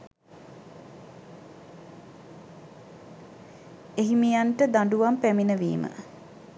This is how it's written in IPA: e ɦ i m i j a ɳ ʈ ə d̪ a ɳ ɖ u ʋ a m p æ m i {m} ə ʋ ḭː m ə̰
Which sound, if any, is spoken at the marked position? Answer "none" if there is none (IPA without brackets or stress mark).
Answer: n